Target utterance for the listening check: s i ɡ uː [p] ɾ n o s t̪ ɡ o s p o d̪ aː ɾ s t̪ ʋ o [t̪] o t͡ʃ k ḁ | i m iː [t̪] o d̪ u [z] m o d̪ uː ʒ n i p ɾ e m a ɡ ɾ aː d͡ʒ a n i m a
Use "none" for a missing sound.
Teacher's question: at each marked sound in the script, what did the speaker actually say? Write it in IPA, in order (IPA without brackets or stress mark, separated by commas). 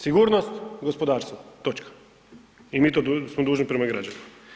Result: none, t̪, t̪, s